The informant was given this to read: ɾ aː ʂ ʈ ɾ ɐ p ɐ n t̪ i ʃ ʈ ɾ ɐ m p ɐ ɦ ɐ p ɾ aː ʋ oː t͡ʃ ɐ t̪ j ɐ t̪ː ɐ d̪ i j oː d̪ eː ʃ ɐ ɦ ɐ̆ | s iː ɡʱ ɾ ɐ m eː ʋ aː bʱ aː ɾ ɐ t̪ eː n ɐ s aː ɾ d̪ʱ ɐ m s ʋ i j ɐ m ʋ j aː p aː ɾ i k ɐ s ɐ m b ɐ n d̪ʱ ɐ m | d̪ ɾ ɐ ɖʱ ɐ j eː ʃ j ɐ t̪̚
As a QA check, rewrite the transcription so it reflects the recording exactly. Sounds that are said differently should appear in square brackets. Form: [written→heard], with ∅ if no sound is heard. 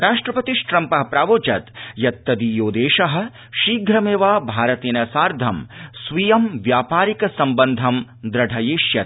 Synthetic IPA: ɾ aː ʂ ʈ ɾ ɐ p ɐ [n→∅] t̪ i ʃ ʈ ɾ ɐ m p ɐ ɦ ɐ p ɾ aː ʋ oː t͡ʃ ɐ t̪ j ɐ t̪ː ɐ d̪ i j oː d̪ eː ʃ ɐ ɦ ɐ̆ | [s→ʃ] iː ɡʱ ɾ ɐ m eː ʋ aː bʱ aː ɾ ɐ t̪ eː n ɐ s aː ɾ d̪ʱ ɐ m s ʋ i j ɐ m ʋ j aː p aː ɾ i k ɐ s ɐ m b ɐ n d̪ʱ ɐ m | d̪ ɾ ɐ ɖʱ ɐ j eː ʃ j ɐ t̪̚